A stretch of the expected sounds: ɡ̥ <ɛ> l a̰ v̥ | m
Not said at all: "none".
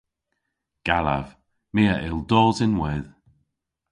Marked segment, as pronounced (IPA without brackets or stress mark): a